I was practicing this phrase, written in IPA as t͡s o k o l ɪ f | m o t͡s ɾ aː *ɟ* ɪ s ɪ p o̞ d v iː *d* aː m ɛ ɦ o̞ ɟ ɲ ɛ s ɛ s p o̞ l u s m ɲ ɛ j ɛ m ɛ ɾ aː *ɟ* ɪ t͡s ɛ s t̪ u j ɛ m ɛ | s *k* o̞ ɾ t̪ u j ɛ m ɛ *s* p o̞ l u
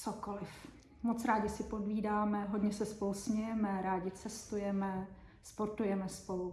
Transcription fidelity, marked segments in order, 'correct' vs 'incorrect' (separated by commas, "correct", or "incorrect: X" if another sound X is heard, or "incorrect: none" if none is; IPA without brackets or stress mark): correct, correct, correct, incorrect: p, correct